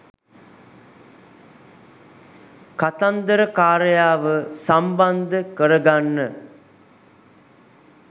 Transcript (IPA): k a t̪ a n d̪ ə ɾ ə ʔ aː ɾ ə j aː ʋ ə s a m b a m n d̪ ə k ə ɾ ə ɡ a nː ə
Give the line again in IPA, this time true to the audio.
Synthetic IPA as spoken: k a t̪ a n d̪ ə ɾ ə k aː ɾ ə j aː ʋ ə s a m b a n d̪ ə k ə ɾ ə ɡ a nː ə